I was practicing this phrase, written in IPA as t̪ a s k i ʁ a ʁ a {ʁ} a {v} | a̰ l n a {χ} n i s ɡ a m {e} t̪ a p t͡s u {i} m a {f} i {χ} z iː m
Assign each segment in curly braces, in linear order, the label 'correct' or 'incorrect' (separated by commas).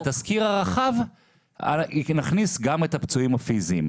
incorrect, correct, correct, correct, correct, correct, incorrect